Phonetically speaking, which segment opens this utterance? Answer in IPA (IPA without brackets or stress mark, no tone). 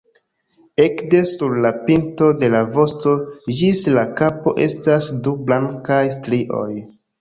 e̞